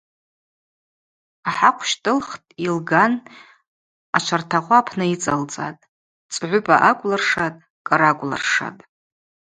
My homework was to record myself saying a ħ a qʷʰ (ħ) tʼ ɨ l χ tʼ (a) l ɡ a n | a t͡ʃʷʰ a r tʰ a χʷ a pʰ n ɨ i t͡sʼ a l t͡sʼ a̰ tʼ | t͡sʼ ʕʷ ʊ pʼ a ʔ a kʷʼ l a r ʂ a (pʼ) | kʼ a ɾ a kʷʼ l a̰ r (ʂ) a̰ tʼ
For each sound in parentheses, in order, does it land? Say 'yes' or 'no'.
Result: no, no, no, yes

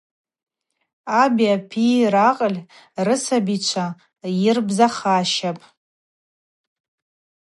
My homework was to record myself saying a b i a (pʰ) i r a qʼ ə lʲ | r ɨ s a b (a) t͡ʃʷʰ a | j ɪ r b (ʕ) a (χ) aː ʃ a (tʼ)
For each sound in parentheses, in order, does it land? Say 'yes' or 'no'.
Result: yes, no, no, yes, no

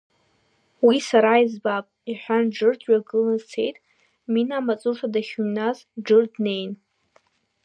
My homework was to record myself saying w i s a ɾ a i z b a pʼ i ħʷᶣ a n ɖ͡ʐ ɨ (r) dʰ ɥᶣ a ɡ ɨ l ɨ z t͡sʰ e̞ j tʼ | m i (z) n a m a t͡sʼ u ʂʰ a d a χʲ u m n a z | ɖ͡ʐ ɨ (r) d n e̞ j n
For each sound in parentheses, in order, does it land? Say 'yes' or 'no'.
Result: yes, no, yes

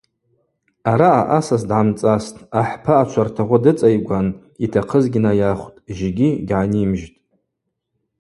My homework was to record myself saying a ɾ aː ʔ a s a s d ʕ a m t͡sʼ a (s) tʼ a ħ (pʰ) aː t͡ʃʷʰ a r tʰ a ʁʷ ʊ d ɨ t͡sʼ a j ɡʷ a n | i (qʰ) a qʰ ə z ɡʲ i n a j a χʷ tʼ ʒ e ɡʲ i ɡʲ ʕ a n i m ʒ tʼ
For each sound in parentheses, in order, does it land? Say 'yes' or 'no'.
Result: yes, yes, no

